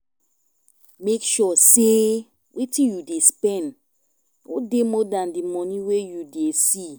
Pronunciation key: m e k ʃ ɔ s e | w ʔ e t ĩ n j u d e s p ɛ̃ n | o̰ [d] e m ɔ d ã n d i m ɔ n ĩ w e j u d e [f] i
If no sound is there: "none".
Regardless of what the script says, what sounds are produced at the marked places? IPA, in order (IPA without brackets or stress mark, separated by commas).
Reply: d, s